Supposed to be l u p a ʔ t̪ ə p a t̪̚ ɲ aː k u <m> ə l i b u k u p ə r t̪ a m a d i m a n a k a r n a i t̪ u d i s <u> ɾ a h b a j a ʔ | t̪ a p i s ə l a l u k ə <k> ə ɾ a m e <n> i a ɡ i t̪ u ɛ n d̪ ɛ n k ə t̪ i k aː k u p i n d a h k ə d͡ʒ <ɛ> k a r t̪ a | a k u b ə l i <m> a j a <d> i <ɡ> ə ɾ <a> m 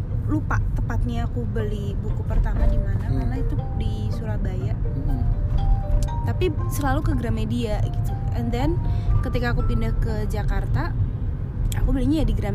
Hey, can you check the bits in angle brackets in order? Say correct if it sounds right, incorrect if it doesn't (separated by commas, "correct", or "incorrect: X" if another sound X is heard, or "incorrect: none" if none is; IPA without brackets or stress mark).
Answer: incorrect: b, correct, incorrect: ɡ, incorrect: d, incorrect: a, incorrect: ɲ, correct, correct, correct